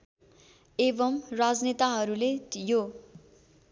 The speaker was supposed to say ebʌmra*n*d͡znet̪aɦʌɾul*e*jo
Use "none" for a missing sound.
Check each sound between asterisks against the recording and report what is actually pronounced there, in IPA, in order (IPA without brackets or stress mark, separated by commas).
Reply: none, e